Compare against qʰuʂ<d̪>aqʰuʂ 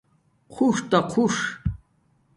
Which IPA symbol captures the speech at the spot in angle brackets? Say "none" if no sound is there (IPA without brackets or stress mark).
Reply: t̪